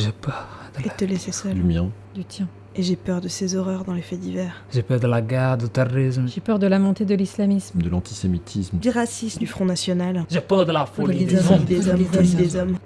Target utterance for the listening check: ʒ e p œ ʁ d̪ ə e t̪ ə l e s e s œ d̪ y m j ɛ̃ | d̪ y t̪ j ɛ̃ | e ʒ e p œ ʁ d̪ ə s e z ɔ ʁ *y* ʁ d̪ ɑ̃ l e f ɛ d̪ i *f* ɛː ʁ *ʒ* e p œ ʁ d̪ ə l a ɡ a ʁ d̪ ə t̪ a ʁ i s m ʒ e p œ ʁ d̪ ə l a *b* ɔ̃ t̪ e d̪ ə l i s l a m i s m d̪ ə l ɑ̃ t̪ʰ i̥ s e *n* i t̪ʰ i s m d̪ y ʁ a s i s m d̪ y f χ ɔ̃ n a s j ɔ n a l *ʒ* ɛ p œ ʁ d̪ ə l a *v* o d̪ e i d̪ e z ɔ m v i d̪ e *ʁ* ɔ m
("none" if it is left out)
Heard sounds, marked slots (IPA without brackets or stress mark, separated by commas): œ, v, ʒ, m, m, ʒ, f, z